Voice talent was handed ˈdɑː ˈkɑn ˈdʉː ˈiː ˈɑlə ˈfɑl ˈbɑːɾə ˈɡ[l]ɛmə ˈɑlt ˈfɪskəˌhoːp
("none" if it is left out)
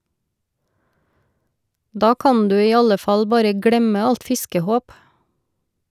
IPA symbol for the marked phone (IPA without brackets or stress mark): ɽ